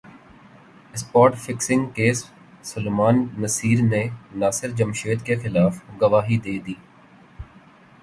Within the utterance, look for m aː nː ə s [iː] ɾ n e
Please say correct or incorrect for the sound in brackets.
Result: correct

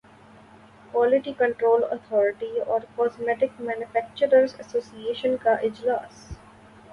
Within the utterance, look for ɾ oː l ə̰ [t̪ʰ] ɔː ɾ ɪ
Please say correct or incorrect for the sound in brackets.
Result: correct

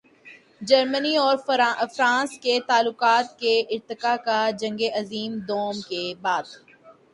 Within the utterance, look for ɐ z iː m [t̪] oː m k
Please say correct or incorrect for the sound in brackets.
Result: incorrect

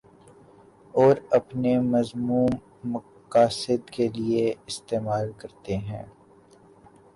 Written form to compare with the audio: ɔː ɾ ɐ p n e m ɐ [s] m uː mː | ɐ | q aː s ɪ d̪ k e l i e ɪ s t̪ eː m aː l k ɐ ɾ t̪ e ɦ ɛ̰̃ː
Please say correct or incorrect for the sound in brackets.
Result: incorrect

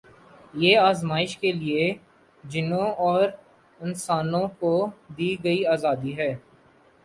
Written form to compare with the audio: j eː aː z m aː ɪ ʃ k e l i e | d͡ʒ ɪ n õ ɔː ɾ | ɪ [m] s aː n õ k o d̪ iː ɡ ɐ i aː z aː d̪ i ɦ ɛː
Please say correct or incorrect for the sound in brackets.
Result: incorrect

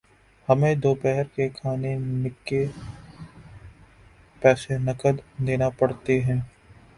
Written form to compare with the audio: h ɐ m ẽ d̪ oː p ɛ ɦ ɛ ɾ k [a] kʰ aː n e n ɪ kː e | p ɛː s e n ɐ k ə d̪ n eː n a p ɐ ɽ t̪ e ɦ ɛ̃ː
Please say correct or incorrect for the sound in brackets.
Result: incorrect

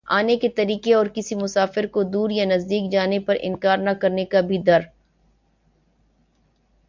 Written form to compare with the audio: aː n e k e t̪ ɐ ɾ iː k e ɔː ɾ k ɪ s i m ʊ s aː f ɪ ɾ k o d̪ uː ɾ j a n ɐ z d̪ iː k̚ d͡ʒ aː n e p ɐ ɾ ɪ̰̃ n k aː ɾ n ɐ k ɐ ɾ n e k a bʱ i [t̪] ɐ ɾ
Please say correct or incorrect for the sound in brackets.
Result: incorrect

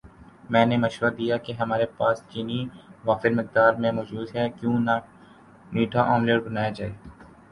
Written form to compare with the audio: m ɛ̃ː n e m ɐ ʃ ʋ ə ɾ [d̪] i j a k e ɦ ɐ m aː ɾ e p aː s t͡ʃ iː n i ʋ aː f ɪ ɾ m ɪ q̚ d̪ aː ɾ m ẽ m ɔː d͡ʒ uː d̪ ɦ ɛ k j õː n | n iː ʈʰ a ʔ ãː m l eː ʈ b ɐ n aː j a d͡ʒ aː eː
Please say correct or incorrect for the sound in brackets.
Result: correct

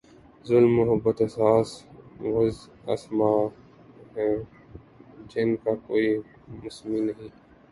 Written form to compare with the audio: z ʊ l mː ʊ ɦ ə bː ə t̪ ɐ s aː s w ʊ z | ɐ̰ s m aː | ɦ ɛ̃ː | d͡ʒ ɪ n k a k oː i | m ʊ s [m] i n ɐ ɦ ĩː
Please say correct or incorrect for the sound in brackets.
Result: correct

